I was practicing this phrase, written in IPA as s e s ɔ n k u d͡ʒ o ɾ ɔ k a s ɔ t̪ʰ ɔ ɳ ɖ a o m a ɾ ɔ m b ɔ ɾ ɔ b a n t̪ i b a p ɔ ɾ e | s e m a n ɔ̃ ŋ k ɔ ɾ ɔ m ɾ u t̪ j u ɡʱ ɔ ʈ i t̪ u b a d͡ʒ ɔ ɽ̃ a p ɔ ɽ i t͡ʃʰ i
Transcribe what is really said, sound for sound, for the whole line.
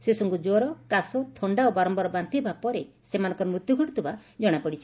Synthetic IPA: s e s ɔ ŋ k u d͡ʒ o ɾ ɔ k a s ɔ t̪ʰ ɔ ɳ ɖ a o b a ɾ ɔ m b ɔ ɾ ɔ b a n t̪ i b a p ɔ ɾ e | s e m a n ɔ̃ ŋ k ɔ ɾ ɔ m ɾ u t̪ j u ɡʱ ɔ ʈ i t̪ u b a d͡ʒ ɔ ɽ̃ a p ɔ ɽ i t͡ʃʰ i